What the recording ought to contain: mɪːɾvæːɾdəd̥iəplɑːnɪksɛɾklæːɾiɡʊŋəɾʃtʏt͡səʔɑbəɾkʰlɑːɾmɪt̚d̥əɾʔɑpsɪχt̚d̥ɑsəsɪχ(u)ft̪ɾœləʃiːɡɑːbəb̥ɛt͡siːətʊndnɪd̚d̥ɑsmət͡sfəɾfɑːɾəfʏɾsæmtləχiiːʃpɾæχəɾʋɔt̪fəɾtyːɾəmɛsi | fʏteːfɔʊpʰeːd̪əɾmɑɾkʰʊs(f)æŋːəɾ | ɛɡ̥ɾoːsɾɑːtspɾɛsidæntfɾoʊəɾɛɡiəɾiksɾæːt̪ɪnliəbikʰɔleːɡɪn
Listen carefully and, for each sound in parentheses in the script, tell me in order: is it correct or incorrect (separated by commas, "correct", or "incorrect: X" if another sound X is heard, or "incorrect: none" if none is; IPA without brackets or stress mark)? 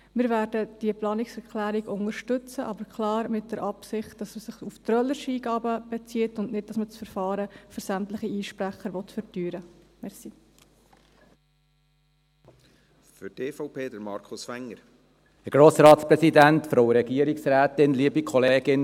correct, correct